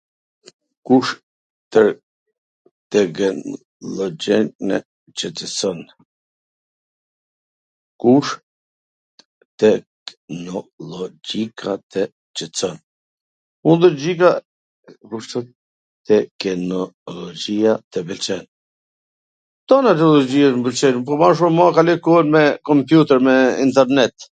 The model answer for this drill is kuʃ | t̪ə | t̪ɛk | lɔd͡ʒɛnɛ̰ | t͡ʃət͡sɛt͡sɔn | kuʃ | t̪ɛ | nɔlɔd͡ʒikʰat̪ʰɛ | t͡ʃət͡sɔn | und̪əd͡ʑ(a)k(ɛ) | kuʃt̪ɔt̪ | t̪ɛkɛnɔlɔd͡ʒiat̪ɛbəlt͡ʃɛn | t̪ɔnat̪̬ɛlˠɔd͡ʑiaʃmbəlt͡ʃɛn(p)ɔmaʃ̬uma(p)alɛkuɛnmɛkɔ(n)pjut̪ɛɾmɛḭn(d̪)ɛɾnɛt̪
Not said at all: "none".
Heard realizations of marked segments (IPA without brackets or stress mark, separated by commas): i, a, p, k, m, t̪